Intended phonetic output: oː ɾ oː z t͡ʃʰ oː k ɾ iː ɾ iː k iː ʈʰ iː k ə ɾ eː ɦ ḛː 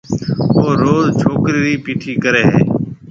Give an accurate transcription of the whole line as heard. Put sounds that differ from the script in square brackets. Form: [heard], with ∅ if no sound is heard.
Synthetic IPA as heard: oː ɾ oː z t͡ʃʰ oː k ɾ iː ɾ iː [p] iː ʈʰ iː k ə ɾ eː ɦ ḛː